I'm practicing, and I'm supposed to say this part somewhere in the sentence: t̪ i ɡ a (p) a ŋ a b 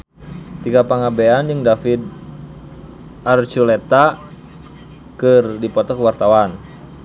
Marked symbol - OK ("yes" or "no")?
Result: yes